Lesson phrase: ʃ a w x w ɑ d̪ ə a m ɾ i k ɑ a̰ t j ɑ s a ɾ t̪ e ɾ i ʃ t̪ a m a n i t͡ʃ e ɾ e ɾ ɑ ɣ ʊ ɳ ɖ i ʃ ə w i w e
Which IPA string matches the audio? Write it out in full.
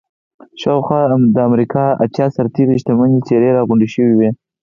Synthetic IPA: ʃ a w x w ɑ d̪ ə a m ɾ i k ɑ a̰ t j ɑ s a ɾ t̪ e ɾ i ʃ t̪ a m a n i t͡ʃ e ɾ e ɾ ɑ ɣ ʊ ɳ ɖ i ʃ ə w i w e